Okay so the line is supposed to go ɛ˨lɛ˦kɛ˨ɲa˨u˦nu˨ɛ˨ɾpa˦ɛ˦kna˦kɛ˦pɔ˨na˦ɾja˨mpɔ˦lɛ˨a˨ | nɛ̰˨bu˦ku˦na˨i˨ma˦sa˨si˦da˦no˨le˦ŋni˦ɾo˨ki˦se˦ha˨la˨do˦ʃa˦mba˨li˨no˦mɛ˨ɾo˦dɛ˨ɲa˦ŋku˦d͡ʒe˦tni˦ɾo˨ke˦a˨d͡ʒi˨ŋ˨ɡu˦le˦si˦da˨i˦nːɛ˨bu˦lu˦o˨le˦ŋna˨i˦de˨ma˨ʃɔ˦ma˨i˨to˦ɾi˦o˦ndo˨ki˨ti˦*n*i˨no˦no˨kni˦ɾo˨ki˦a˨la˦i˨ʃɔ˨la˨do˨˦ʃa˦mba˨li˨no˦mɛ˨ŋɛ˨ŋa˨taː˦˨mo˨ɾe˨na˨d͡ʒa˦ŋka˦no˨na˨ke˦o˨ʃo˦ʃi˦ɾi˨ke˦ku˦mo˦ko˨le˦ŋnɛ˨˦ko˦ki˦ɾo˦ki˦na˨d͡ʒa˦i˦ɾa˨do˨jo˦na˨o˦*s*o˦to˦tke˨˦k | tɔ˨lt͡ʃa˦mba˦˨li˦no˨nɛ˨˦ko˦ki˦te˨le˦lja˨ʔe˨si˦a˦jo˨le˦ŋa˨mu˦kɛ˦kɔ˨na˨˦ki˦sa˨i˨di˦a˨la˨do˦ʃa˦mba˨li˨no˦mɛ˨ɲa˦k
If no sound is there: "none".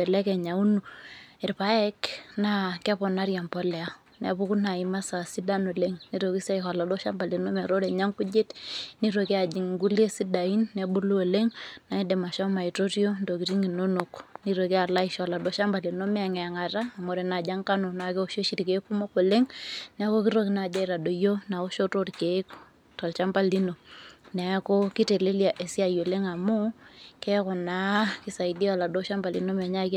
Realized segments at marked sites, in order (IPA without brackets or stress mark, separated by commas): ŋ, ʃ